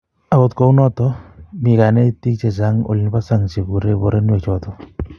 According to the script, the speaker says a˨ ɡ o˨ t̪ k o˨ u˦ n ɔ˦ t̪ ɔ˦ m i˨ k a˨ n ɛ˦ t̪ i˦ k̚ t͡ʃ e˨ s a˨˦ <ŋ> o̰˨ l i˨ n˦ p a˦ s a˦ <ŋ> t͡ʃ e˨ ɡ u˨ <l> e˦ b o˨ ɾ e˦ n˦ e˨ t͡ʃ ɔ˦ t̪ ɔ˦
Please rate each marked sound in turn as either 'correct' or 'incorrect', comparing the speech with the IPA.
correct, correct, incorrect: ɾ

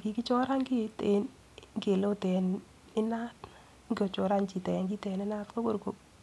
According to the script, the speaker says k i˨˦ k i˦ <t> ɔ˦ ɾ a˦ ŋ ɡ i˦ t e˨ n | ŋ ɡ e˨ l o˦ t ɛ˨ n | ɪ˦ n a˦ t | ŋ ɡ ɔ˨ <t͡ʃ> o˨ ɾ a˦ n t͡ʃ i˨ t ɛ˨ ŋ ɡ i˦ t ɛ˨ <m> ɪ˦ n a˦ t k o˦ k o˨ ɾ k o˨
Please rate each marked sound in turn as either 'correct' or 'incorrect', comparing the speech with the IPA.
incorrect: t͡ʃ, correct, incorrect: n

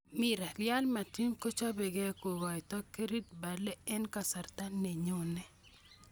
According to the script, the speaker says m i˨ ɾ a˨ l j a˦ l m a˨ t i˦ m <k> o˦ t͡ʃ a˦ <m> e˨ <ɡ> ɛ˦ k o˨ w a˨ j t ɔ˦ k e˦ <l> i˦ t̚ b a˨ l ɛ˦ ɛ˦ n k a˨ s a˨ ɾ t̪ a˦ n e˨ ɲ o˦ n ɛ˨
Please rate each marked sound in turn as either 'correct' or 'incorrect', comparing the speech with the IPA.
correct, incorrect: b, correct, incorrect: ɾ

